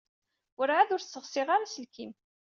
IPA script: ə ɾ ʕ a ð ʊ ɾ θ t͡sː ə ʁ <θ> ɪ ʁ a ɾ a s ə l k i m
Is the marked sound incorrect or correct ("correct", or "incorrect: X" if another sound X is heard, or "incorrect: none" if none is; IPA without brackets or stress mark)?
incorrect: s